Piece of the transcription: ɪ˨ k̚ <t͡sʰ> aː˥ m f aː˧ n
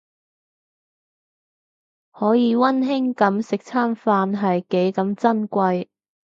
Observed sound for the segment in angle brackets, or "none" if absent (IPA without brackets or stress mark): t͡sʰ